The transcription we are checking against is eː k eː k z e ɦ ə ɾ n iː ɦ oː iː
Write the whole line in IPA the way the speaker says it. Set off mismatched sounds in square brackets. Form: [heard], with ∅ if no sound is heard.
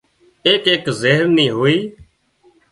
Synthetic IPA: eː k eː k z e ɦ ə ɾ n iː ɦ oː iː